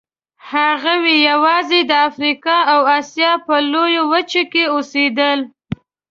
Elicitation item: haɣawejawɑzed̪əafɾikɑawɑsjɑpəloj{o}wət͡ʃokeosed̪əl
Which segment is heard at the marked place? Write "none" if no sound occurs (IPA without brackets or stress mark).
o